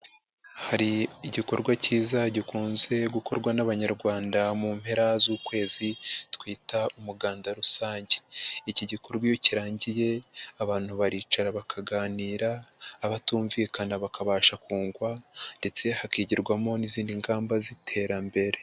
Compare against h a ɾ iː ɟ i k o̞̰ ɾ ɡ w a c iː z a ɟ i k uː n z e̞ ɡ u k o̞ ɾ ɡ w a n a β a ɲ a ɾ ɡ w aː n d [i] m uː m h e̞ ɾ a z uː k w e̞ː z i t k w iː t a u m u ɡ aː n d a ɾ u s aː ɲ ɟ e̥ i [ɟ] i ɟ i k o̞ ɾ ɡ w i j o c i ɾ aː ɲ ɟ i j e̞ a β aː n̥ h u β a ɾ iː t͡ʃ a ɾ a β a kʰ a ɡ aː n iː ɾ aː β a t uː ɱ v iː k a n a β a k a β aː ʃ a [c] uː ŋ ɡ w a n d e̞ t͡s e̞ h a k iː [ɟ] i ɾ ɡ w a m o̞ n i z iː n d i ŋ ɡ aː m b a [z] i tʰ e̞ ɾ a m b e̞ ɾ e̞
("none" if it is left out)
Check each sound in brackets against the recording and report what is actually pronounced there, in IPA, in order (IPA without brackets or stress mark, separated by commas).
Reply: a, c, k, ɟ, z